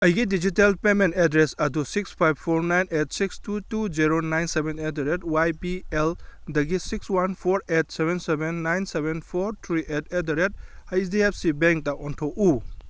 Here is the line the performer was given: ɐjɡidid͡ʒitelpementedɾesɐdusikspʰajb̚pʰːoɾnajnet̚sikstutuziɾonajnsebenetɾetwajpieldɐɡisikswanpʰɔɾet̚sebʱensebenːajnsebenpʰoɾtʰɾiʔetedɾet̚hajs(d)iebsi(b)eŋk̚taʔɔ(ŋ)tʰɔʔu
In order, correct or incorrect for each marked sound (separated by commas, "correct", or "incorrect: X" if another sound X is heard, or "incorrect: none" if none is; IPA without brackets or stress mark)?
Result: correct, correct, incorrect: n